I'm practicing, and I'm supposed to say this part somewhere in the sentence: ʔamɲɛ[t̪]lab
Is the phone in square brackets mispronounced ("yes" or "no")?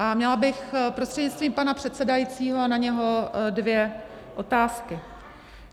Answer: yes